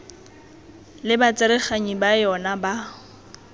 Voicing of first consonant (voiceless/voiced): voiced